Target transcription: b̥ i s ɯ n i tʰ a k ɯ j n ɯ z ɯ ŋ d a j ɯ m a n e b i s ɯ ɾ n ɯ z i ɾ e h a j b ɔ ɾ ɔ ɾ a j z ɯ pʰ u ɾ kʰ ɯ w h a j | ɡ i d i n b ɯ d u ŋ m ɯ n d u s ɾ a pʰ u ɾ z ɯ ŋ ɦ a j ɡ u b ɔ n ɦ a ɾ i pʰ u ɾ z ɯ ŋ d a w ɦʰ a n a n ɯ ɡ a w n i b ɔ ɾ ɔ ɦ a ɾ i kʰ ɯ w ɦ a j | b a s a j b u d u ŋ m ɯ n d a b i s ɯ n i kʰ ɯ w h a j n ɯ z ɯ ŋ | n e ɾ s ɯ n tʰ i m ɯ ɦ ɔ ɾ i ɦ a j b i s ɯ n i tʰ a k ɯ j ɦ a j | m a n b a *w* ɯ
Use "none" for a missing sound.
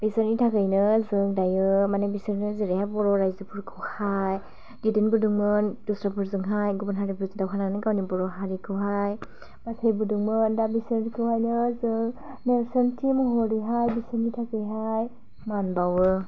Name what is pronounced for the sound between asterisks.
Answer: w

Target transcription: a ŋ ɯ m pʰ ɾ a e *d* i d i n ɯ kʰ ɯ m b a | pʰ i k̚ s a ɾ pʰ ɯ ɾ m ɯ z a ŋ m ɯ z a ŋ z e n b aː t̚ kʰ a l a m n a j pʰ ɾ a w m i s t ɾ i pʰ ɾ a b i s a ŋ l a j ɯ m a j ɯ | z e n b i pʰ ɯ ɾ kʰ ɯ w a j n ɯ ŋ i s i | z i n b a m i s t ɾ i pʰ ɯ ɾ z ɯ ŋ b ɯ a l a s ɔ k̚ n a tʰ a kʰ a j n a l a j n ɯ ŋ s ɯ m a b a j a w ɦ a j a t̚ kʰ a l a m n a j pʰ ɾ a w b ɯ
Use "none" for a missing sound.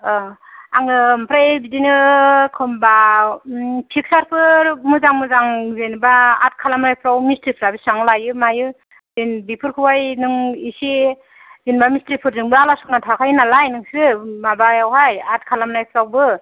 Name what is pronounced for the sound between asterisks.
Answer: b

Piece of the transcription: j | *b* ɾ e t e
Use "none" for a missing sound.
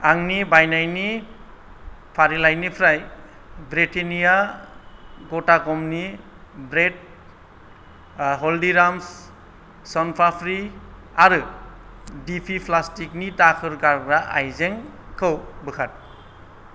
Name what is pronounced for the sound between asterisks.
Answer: b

